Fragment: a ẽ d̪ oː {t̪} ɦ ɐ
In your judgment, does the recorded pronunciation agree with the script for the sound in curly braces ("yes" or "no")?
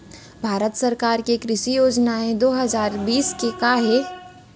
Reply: no